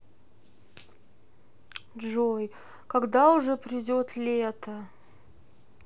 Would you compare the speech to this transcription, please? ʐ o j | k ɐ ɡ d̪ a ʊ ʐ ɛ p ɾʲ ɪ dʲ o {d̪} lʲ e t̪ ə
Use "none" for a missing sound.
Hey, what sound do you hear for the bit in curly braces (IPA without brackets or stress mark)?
t̪